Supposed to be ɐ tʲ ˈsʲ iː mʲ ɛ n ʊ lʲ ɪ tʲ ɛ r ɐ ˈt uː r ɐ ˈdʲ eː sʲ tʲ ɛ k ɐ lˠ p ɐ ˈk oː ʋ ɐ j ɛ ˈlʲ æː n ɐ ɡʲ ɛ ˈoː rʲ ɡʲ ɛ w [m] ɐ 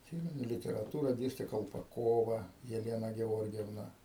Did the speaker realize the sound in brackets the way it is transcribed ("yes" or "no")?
no